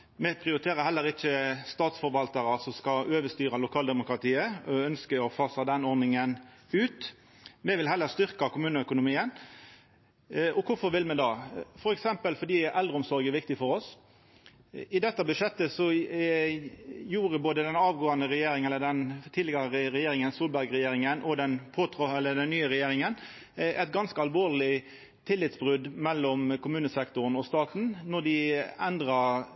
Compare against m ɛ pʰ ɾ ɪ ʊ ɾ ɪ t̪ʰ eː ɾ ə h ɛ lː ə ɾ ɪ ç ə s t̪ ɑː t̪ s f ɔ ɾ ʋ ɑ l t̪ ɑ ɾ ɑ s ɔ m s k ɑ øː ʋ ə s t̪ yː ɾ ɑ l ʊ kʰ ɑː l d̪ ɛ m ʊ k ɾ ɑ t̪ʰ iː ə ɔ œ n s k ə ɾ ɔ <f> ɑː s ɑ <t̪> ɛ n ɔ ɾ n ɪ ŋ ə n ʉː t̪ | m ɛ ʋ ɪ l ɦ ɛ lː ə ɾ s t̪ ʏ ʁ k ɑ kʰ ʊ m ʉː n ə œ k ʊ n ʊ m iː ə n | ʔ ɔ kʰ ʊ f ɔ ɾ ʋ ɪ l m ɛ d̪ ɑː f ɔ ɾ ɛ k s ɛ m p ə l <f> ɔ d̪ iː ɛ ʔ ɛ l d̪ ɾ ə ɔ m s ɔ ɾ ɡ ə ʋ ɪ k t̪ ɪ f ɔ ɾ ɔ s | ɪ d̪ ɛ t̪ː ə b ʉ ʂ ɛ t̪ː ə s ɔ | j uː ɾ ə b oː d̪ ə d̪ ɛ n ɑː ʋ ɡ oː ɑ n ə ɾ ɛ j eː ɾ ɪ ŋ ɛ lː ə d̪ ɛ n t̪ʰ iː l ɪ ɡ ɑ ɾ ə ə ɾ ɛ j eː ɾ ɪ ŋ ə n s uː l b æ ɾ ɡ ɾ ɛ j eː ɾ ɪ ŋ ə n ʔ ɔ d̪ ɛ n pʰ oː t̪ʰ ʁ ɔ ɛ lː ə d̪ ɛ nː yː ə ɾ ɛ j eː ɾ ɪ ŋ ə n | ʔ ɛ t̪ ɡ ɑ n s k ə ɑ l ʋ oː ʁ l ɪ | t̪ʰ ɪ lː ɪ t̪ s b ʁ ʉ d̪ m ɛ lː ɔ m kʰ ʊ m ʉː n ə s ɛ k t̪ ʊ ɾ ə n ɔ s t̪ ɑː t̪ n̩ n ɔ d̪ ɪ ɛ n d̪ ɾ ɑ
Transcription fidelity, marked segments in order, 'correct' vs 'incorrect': correct, incorrect: d̪, correct

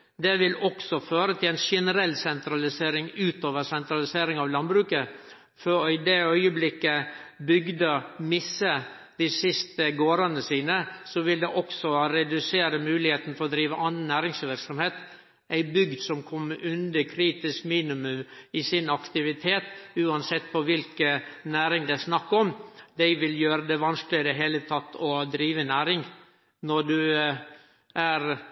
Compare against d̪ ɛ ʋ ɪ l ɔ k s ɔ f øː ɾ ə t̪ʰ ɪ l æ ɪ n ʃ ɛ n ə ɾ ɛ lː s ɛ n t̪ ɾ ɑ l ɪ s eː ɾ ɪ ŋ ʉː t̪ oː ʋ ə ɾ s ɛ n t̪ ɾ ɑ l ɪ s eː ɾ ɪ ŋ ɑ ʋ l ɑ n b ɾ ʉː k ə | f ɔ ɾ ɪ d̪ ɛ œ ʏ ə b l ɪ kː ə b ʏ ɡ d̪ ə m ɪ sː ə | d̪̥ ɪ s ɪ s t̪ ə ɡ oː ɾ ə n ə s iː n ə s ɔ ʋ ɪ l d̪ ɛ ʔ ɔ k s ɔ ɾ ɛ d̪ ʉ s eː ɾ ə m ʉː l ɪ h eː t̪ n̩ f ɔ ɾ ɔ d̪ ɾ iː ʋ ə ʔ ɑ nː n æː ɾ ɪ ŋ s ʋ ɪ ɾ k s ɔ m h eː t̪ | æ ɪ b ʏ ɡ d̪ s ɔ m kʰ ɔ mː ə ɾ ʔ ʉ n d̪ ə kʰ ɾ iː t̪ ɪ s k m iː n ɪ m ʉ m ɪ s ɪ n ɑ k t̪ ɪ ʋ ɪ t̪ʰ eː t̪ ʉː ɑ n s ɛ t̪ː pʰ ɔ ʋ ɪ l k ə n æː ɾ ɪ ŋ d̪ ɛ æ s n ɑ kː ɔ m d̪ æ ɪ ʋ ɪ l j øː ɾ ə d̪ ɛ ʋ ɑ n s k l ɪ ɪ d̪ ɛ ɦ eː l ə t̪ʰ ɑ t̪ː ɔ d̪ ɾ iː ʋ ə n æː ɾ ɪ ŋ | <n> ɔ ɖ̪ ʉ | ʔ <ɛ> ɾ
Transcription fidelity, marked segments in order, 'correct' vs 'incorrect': correct, incorrect: æ

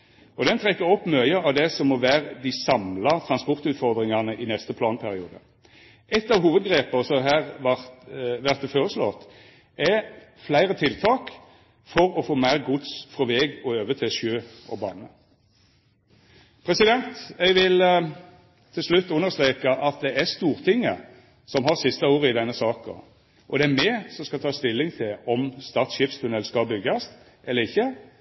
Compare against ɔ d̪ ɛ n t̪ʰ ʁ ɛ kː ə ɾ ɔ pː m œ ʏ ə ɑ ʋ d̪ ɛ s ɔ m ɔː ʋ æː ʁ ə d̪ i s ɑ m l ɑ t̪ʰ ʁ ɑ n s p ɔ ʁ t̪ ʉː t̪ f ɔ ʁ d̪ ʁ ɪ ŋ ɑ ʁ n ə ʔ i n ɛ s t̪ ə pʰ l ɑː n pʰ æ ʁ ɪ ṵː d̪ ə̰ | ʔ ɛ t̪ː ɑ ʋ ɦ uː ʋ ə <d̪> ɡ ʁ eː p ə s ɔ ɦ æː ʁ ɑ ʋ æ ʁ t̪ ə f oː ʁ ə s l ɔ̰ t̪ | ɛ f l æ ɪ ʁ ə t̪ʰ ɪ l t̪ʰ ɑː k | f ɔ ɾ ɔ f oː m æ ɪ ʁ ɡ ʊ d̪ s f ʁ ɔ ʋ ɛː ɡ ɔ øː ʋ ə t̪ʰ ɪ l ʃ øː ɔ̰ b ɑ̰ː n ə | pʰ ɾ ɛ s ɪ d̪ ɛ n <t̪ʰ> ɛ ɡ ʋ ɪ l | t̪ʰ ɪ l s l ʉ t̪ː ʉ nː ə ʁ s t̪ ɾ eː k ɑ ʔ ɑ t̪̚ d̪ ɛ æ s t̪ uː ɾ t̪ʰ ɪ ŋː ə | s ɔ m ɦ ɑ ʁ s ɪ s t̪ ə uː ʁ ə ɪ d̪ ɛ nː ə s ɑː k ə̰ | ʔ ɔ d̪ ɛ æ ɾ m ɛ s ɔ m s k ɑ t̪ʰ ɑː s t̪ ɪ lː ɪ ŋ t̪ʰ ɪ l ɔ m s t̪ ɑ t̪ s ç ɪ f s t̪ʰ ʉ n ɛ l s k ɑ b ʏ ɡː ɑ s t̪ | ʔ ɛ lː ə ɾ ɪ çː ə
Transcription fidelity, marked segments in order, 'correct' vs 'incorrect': correct, incorrect: t̪

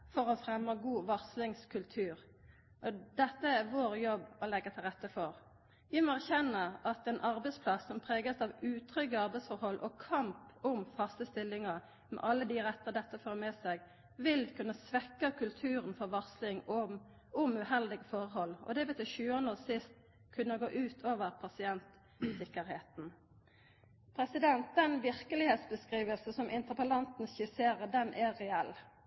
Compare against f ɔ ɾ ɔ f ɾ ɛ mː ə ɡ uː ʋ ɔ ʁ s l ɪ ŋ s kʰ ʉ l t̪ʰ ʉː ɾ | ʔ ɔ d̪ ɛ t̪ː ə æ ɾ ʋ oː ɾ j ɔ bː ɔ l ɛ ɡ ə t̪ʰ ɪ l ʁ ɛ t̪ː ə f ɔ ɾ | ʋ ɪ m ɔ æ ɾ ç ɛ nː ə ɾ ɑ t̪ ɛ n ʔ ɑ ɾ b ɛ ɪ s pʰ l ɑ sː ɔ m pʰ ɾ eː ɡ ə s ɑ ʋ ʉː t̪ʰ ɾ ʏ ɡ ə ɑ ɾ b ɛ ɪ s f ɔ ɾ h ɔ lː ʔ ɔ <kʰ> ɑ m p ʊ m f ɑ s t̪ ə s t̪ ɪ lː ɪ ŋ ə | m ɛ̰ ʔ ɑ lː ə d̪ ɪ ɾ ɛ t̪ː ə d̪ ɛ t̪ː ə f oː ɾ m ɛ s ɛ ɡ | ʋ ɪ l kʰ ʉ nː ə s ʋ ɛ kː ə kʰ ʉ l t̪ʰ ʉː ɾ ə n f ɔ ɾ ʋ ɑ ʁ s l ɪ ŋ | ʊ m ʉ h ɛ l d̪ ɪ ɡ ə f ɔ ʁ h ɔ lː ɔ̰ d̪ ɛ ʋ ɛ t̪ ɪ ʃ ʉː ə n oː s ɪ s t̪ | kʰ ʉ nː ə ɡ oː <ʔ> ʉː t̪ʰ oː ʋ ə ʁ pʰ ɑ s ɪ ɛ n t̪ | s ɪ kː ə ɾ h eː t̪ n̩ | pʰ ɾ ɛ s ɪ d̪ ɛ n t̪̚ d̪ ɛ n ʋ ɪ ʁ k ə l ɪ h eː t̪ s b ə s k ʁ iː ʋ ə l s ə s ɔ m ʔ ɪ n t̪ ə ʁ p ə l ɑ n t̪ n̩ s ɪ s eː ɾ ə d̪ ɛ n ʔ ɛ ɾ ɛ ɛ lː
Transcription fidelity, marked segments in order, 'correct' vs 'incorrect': correct, correct

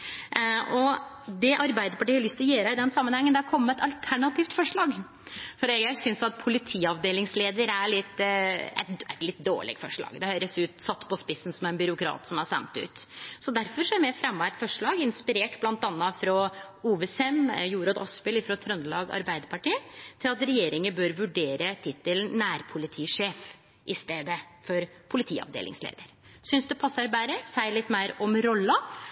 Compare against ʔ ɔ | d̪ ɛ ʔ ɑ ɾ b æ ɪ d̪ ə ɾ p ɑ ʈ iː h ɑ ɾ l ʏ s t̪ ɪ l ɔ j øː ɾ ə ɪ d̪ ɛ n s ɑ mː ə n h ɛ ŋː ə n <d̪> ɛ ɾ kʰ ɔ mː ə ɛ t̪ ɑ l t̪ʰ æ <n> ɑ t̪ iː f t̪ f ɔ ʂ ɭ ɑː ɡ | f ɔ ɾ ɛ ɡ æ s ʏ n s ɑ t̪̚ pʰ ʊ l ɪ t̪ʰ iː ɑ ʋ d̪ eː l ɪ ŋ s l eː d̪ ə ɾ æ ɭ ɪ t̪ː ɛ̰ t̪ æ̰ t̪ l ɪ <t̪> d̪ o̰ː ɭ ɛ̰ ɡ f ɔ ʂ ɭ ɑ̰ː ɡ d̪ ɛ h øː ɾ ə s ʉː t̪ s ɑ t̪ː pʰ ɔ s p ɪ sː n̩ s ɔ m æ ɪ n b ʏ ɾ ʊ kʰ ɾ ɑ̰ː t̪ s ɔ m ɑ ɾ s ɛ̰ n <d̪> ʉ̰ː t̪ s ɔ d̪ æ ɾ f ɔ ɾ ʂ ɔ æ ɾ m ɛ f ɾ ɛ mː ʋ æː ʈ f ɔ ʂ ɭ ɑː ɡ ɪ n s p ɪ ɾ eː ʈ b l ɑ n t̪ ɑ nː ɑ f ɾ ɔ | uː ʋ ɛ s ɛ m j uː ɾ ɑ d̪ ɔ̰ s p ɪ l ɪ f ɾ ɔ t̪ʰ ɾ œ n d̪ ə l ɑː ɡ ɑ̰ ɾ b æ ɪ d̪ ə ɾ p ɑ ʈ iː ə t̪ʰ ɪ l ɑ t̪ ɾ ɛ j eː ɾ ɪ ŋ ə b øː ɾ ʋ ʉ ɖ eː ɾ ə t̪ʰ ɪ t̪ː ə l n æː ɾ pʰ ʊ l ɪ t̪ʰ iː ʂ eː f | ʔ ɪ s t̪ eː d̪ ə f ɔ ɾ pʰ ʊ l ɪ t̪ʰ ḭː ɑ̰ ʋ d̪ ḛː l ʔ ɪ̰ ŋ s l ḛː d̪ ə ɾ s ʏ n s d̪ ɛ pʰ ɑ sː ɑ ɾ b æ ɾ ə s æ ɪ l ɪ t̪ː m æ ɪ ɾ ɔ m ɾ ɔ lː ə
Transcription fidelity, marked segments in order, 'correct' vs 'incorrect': correct, incorrect: ɳ, correct, incorrect: t̪

